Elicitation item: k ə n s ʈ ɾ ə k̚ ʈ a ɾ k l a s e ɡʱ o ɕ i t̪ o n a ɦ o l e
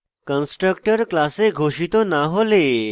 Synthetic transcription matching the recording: k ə n s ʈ ɾ ə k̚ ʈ ə ɾ k l a s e ɡʱ o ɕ i t̪ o n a ɦ o l e